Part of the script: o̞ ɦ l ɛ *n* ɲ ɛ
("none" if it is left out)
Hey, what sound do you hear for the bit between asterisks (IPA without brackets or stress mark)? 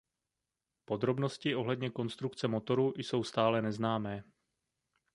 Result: d